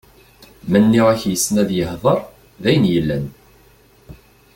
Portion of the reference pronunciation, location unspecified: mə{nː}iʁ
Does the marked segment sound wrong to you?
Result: no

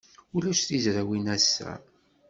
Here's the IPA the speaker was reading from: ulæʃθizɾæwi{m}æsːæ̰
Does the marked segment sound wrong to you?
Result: yes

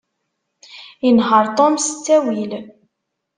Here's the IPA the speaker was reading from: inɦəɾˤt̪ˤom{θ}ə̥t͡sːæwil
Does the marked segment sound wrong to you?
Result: yes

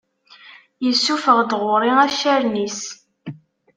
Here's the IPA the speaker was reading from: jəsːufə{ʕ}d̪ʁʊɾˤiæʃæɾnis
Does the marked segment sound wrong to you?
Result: yes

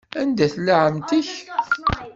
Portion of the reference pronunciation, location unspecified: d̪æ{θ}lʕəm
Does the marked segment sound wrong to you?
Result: no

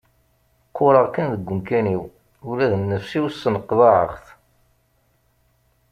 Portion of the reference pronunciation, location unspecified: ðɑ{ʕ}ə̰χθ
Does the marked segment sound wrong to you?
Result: no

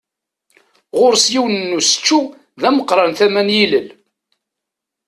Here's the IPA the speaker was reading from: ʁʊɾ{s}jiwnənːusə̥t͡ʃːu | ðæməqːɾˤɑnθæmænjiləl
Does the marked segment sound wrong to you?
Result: no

